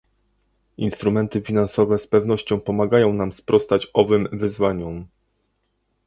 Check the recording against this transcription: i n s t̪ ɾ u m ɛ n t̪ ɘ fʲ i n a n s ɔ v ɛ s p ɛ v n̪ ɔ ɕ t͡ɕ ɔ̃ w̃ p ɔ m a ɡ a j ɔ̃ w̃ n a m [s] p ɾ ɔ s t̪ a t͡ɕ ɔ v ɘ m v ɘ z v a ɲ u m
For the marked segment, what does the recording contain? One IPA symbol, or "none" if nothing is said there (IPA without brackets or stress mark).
s